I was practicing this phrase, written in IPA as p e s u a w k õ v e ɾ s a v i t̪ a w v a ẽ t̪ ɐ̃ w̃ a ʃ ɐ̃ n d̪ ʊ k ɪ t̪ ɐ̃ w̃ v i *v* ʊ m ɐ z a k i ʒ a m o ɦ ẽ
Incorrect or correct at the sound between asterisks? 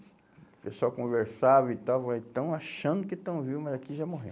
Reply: correct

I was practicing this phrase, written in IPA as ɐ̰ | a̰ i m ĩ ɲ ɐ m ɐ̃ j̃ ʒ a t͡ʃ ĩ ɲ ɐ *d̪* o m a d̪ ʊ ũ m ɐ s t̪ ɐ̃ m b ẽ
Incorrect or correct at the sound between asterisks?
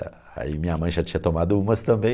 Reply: incorrect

